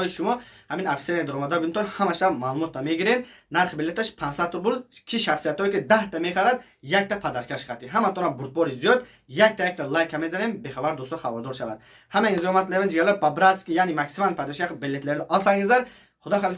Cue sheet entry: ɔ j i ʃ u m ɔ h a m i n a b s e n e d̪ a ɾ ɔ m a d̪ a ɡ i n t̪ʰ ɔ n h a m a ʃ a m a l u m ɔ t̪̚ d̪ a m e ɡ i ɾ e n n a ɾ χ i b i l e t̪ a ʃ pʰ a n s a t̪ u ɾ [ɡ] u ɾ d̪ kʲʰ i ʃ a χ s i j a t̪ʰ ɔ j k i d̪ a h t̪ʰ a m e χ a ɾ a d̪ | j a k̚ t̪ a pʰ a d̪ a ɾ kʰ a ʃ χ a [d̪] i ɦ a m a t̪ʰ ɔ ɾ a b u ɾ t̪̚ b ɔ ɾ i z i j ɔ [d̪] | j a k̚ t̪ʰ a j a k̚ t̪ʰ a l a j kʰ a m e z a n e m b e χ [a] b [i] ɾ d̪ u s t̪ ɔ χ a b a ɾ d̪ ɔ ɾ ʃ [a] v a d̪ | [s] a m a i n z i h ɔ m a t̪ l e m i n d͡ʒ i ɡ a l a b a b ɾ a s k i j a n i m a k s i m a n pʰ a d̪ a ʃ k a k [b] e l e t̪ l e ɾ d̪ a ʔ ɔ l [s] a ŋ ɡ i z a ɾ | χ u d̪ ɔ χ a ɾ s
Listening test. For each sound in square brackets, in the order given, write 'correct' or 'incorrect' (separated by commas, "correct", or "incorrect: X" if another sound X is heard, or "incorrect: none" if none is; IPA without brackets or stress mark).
incorrect: b, incorrect: t̪, correct, correct, incorrect: a, correct, incorrect: h, correct, correct